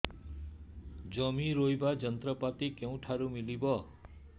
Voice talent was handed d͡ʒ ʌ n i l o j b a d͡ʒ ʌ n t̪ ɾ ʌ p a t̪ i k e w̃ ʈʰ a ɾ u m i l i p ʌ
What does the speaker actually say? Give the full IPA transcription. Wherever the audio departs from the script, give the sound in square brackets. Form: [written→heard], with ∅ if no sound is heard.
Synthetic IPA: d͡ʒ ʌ [n→m] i [l→ɾ] o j b a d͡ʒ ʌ n t̪ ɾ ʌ p a t̪ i k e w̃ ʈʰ a ɾ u m i l i [p→b] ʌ